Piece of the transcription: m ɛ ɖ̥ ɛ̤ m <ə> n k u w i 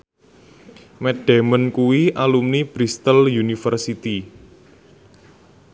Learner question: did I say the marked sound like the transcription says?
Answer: yes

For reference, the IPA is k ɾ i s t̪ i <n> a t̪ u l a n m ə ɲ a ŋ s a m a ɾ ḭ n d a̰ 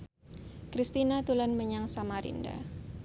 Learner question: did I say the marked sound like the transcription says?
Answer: yes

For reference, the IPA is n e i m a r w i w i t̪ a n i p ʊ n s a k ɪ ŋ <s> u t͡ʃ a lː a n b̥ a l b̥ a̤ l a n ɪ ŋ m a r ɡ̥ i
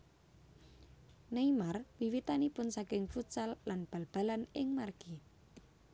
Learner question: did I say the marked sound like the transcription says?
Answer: no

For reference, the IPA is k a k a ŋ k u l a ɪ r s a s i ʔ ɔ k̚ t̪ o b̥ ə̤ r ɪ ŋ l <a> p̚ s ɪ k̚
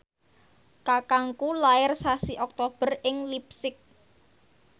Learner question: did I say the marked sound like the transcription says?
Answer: no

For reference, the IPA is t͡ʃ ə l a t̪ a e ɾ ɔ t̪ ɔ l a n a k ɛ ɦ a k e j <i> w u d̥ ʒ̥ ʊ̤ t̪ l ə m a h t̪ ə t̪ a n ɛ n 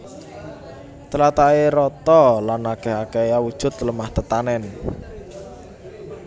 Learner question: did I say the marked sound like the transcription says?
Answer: no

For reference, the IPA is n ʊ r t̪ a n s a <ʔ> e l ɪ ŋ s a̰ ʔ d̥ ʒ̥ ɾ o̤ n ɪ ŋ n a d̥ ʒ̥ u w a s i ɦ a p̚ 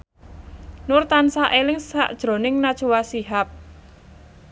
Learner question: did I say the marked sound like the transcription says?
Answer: yes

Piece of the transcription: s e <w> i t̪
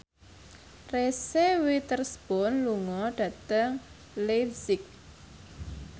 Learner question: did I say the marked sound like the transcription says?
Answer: yes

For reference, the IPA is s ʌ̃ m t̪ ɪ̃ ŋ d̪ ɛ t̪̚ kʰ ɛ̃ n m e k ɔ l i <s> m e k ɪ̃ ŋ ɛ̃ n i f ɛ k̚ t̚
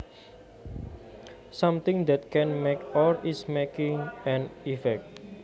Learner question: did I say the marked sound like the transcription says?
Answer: yes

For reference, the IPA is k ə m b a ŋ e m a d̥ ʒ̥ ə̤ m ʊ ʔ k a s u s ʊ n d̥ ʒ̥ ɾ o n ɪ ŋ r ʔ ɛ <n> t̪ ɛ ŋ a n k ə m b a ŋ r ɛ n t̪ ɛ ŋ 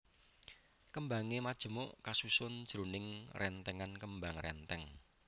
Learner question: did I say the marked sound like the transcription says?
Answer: yes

